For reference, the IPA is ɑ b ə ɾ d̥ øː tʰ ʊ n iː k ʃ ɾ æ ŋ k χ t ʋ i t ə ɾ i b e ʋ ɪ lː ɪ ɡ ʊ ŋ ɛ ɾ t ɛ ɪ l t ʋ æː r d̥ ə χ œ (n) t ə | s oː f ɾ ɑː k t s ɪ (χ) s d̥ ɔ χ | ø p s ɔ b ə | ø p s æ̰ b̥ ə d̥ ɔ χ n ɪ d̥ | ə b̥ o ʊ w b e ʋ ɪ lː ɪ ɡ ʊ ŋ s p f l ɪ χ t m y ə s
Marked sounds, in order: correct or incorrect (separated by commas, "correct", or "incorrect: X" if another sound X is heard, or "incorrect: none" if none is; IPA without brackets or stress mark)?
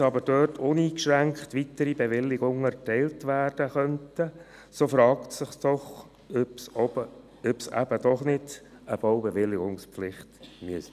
correct, correct